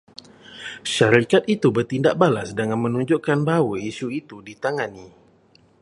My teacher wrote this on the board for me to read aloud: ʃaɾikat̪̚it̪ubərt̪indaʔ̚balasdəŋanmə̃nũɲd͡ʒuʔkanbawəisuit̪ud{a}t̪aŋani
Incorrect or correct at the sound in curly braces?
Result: incorrect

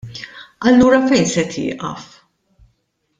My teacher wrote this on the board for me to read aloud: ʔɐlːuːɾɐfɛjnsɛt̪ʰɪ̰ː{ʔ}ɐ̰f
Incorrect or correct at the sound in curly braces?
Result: correct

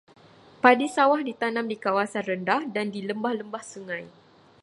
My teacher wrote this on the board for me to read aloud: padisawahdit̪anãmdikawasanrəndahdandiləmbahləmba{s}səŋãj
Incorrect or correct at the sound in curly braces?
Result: incorrect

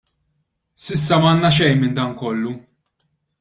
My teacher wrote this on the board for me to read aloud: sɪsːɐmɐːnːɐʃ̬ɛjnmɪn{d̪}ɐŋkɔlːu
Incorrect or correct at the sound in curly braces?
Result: correct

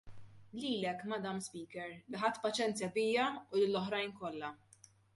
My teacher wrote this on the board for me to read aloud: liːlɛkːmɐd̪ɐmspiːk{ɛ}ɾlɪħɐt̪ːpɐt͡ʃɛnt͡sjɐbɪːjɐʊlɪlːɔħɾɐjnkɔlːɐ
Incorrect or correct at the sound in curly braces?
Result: correct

